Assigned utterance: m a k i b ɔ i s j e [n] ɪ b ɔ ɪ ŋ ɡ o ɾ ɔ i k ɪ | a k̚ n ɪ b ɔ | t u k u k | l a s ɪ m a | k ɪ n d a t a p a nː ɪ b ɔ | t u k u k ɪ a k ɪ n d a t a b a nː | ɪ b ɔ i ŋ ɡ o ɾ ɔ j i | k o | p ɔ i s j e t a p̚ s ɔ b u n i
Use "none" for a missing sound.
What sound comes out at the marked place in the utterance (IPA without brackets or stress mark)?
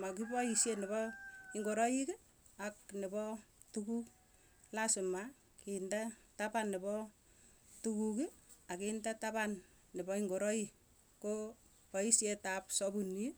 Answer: n